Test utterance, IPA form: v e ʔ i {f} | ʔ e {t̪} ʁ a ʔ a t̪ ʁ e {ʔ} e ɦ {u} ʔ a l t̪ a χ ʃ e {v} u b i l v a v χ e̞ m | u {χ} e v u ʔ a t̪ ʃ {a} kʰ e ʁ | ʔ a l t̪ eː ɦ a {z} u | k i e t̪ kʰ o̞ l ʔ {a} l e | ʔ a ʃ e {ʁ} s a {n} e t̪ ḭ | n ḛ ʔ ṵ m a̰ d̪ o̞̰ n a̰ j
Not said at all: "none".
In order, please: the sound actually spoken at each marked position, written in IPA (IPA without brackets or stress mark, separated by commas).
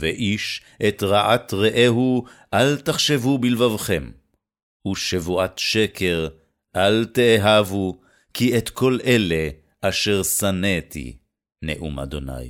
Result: ʃ, t̪, ʔ, u, v, ʃ, e, v, e, ʁ, n